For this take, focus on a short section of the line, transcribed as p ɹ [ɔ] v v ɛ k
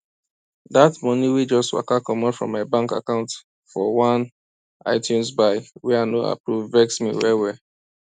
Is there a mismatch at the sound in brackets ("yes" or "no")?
yes